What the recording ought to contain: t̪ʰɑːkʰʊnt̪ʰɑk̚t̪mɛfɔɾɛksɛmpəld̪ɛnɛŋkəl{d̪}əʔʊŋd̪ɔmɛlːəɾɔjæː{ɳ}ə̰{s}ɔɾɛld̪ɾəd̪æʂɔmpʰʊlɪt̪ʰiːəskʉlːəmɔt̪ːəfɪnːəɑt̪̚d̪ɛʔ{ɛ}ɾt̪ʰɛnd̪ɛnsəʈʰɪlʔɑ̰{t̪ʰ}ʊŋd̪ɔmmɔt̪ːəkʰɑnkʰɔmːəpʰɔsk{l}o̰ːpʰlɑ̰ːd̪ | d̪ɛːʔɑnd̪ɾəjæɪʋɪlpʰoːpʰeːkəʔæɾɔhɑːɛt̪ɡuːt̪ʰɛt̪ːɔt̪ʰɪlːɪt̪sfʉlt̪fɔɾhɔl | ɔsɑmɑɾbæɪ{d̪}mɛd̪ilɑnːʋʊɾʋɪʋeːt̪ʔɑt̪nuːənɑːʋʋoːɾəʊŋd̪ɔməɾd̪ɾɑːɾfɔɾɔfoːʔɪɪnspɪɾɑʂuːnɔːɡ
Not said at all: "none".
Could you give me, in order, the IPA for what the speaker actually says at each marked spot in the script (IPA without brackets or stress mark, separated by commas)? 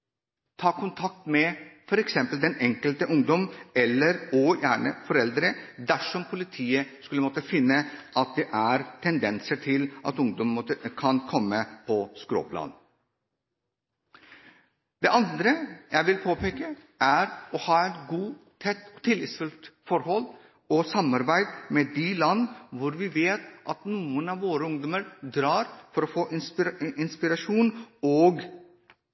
t̪, ɳ, f, æ, t̪, ɾ, d̪